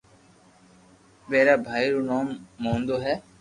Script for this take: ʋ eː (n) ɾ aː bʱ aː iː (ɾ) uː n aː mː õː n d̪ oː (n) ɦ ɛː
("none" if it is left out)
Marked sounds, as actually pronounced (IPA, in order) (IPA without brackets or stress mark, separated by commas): none, ɾ, none